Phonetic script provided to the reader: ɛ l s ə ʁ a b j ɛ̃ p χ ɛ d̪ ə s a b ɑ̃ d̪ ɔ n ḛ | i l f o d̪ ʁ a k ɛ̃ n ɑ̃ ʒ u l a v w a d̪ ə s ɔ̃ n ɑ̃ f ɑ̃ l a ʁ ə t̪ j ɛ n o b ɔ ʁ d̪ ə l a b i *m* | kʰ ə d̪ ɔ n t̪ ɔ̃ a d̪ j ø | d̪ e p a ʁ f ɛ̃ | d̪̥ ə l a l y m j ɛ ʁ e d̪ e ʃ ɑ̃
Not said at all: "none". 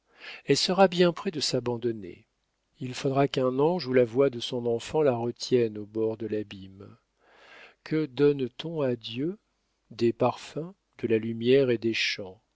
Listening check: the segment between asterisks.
m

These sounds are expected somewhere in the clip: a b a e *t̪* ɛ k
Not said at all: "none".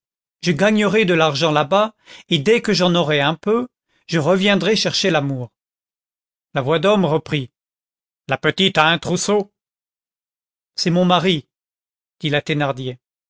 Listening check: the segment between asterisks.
d̪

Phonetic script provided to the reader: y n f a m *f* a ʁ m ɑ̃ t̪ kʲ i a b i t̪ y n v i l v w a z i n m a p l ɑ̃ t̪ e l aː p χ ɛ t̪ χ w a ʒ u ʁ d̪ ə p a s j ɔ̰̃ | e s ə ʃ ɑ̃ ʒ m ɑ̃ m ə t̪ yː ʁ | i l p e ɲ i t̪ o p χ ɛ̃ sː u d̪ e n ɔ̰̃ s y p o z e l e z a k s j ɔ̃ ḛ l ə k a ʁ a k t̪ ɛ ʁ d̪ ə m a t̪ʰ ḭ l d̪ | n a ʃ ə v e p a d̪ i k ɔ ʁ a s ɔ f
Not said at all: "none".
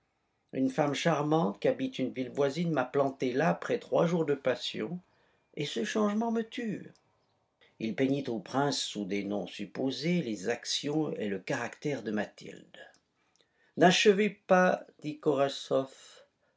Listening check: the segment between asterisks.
ʃ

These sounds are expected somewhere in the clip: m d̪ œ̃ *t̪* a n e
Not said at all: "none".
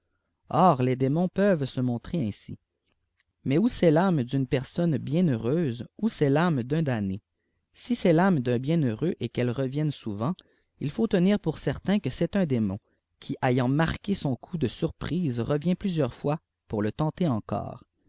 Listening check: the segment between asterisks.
d̪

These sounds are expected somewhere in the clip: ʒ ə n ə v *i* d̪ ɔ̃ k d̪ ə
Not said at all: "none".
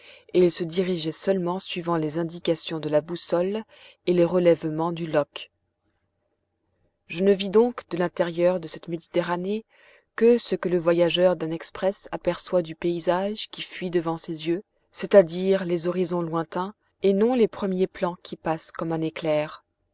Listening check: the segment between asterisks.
i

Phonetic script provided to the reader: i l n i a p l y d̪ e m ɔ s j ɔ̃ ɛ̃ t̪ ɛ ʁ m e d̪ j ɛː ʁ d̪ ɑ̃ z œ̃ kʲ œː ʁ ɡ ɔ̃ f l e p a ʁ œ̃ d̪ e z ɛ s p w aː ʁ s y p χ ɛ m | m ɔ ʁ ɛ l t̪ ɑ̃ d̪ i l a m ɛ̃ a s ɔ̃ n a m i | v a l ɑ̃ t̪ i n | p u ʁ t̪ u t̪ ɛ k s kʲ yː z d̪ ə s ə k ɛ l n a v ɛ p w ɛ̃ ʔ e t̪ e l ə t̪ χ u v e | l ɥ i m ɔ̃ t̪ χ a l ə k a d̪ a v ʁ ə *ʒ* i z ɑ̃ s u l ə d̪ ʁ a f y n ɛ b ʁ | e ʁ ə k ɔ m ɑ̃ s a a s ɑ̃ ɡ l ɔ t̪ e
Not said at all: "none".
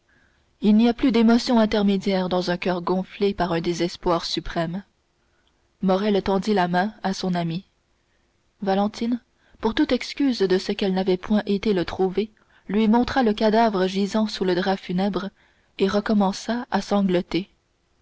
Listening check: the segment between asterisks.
ʒ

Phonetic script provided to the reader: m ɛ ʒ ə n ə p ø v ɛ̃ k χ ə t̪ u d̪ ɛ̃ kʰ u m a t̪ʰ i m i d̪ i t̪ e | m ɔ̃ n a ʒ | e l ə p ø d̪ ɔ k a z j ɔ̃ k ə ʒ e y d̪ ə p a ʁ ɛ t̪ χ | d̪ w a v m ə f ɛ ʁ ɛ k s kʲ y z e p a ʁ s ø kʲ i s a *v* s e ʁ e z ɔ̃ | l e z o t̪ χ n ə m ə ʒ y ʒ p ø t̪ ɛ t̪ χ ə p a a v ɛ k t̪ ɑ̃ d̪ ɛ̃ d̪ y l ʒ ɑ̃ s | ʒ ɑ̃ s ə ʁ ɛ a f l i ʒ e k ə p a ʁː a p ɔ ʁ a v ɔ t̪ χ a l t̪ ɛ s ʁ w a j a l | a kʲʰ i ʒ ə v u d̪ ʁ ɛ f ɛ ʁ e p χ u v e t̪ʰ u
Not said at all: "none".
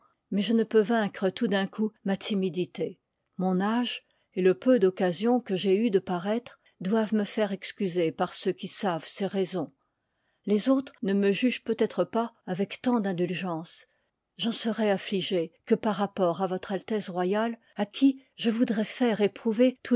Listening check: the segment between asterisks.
v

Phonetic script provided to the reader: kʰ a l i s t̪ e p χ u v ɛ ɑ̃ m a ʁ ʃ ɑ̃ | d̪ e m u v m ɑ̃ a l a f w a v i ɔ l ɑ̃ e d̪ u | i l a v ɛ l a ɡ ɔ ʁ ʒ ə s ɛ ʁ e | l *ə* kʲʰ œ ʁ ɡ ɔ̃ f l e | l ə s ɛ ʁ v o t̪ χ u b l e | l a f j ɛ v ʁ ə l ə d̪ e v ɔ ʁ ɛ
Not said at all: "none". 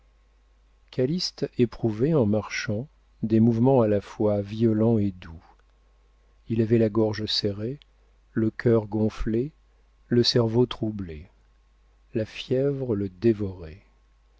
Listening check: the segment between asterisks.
ə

